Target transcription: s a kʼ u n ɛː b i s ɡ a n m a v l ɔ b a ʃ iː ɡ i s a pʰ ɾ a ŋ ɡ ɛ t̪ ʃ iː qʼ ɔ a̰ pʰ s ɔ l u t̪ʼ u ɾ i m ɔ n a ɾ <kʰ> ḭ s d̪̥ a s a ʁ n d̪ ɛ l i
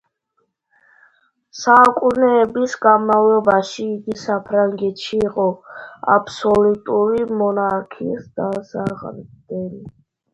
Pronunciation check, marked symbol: correct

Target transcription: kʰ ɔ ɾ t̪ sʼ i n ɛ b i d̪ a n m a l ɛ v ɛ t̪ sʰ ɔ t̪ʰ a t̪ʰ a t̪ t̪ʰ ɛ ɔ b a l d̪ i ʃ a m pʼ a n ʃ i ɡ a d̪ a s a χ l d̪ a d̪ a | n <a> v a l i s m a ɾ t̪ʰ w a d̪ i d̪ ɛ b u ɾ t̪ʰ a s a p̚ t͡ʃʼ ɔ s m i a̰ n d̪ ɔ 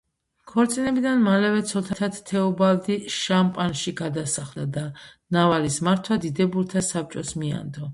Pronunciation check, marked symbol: correct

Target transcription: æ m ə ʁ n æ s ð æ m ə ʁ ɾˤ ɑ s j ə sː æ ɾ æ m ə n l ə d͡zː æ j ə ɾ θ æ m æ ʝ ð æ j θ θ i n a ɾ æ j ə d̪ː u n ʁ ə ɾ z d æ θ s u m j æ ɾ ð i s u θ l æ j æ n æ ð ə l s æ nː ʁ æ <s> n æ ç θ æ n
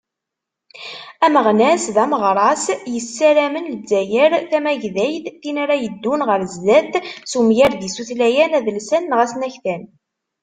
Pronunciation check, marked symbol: correct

